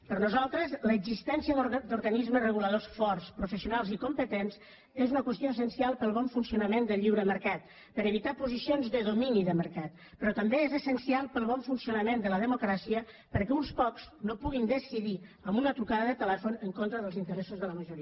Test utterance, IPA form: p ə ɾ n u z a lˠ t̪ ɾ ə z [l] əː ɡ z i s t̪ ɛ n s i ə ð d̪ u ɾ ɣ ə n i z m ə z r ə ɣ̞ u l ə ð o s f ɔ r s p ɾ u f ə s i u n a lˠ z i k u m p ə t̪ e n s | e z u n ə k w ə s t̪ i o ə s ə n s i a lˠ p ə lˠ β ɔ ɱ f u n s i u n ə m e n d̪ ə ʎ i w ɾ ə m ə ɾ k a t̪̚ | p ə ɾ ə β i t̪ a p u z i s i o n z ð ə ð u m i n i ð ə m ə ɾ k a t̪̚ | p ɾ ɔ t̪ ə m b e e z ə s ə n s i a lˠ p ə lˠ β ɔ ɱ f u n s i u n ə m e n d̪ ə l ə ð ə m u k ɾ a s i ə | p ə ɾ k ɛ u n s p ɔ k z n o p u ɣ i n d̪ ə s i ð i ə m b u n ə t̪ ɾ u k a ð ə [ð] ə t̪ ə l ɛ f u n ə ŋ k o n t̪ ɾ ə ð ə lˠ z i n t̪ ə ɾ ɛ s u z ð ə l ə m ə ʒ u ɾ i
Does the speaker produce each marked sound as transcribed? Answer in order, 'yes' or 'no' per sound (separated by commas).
yes, yes